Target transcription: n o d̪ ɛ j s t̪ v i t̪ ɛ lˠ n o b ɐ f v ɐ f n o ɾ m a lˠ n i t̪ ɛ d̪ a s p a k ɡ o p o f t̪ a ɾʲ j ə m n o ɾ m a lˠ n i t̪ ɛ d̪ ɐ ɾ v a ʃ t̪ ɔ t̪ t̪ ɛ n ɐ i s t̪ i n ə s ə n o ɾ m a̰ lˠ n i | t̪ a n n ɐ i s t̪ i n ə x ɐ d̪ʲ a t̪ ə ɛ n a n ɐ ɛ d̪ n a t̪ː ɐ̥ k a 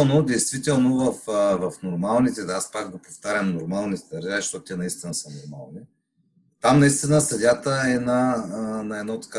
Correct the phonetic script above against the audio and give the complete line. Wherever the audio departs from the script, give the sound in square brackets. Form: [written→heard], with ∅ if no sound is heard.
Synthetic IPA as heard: n o d̪ ɛ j s t̪ v i t̪ ɛ lˠ n o [b→v] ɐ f v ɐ f n o ɾ m a lˠ n i t̪ ɛ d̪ a s p a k ɡ o p o f t̪ a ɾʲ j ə m n o ɾ m a lˠ n i t̪ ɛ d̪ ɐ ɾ [v→ʒ] a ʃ t̪ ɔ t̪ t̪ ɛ n ɐ i s t̪ i n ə s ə n o ɾ m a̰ lˠ n i | t̪ a [n→m] n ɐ i s t̪ i n ə [x→s] ɐ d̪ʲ a t̪ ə ɛ n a n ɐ ɛ d̪ n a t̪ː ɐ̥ k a